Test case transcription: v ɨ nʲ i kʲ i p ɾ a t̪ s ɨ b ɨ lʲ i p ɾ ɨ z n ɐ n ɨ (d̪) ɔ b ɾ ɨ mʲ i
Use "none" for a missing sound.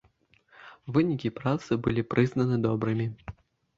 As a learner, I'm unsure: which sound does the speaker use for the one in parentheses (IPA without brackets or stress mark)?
d̪